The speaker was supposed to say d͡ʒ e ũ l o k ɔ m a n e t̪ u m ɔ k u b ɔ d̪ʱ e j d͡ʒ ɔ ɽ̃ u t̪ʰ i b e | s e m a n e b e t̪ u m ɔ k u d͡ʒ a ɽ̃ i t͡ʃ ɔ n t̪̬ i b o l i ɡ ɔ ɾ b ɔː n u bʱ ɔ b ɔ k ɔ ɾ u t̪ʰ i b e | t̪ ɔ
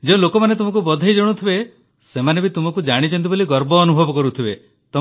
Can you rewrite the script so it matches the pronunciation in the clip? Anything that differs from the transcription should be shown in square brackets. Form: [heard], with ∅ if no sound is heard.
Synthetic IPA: d͡ʒ e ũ l o k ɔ m a n e t̪ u m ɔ k u b ɔ d̪ʱ [a] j d͡ʒ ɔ ɽ̃ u t̪ʰ i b e | s e m a n e b [i] t̪ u m ɔ k u d͡ʒ a ɽ̃ i t͡ʃ ɔ n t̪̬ i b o l i ɡ ɔ ɾ b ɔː n u bʱ ɔ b ɔ k ɔ ɾ u t̪ʰ i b e | t̪ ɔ